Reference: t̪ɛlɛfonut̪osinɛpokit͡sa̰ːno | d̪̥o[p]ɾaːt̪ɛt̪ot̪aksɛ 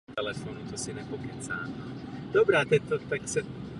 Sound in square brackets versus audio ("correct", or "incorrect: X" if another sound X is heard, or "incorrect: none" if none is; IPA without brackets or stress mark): incorrect: b